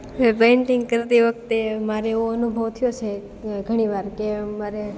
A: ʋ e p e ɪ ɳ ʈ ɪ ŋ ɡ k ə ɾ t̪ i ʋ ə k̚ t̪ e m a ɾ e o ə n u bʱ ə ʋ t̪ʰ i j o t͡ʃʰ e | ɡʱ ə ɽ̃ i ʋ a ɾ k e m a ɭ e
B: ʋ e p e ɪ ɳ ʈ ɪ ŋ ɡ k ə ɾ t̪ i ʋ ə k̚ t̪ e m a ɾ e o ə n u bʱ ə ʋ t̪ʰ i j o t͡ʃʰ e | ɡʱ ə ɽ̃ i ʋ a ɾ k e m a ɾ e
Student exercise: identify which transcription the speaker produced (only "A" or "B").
B